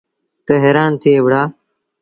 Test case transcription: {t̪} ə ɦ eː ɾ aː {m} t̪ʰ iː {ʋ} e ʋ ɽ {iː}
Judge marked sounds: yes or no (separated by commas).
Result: yes, no, no, no